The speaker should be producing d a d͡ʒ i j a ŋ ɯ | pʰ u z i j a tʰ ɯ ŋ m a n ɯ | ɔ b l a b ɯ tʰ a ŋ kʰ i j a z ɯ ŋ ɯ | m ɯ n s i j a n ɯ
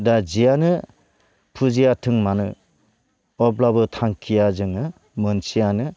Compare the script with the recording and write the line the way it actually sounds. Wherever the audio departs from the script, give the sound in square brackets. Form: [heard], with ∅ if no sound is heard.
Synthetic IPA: d a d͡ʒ i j a [n] ɯ | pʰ u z i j a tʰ ɯ ŋ m a n ɯ | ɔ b l a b ɯ tʰ a ŋ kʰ i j a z ɯ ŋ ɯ | m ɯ n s i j a n ɯ

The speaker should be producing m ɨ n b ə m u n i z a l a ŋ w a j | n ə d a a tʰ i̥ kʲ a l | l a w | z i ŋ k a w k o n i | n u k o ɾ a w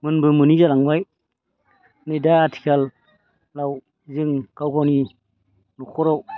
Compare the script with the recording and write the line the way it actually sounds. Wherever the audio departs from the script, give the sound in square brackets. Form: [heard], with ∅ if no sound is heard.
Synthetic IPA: m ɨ n b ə m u n i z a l a ŋ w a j | n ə d a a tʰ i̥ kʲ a l | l a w | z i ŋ k a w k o n i | n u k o ɾ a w

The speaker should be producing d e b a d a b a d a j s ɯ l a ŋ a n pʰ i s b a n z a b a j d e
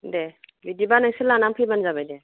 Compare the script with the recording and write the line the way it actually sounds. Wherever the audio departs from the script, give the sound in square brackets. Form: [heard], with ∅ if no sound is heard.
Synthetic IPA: d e b [i] d [i] b a [n] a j s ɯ l a [n] a [m] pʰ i [∅] b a n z a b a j d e

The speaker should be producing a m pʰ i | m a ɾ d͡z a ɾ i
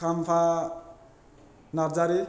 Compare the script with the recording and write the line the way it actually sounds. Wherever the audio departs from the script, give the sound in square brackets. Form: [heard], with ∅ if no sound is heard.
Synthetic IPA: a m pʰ [a] | [n] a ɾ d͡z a ɾ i

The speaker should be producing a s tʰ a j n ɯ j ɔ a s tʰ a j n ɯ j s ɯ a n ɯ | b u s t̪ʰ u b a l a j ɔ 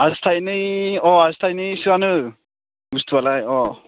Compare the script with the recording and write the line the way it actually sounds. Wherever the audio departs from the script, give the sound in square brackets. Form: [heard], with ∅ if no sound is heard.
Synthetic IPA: a s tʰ a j n ɯ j ɔ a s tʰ a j n ɯ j s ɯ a n ɯ | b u s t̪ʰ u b a l a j ɔ

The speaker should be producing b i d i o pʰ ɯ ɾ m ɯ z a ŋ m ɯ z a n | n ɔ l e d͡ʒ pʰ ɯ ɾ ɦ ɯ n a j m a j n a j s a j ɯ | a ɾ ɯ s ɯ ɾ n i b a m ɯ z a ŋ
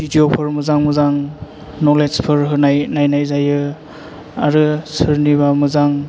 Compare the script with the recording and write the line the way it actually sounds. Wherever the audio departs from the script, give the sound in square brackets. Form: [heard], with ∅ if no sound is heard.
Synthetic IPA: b i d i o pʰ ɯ ɾ m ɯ z a ŋ m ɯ z a [ŋ] | n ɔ l e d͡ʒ pʰ ɯ ɾ ɦ ɯ n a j [n] a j n a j [z] a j ɯ | a ɾ ɯ s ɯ ɾ n i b a m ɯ z a ŋ

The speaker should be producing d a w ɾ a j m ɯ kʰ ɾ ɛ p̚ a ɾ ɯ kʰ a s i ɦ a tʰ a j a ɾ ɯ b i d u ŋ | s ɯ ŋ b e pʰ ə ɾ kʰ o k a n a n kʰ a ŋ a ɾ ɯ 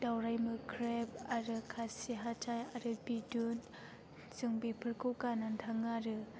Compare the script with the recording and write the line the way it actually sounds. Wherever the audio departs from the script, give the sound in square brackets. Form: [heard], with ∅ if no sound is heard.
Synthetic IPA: d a w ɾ a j m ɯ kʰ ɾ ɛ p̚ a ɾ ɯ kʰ a s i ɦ a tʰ a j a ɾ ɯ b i d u [n] | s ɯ ŋ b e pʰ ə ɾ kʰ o k a n a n [tʰ] a ŋ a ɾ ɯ

